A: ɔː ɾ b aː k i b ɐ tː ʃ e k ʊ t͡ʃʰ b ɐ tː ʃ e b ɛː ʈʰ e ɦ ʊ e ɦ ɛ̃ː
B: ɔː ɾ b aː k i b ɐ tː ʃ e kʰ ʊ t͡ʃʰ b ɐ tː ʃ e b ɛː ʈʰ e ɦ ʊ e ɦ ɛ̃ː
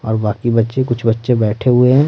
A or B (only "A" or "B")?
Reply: A